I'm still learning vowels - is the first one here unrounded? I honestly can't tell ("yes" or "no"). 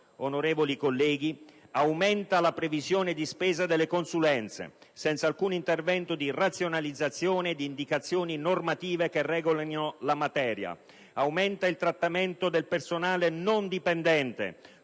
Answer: no